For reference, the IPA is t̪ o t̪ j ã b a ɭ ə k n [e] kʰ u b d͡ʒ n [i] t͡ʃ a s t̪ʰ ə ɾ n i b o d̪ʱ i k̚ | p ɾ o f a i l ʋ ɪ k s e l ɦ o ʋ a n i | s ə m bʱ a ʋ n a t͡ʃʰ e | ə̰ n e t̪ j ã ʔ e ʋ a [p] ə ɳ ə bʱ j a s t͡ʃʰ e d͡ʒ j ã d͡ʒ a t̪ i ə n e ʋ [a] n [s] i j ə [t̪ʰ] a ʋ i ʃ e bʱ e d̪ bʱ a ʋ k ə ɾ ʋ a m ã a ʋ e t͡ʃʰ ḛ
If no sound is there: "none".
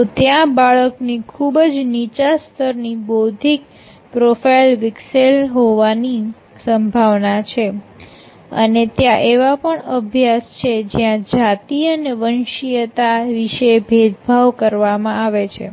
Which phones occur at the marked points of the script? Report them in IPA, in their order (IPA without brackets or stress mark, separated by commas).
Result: i, i, p, ə, ʃ, t̪